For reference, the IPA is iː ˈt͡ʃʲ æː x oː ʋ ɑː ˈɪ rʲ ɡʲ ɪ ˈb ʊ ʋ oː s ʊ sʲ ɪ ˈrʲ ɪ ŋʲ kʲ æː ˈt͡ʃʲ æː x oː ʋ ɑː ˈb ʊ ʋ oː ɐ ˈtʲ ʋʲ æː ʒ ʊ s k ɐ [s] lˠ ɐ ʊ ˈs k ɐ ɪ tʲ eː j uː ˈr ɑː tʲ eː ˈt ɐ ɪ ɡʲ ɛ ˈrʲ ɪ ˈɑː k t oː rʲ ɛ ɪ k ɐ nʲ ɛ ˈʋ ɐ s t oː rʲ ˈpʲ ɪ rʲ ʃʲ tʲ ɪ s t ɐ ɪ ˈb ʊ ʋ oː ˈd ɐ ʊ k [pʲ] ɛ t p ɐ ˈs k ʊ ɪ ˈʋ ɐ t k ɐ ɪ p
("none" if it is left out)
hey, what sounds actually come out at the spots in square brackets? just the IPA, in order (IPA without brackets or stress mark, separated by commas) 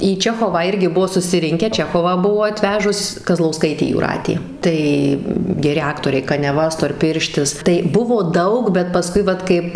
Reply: z, bʲ